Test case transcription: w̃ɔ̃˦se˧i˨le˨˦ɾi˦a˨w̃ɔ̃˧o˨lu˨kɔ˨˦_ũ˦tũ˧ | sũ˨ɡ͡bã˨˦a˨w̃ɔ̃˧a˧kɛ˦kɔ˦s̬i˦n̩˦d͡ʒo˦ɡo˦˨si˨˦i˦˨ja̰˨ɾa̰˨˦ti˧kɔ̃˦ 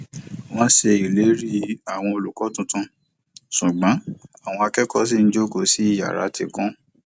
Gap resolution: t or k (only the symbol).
t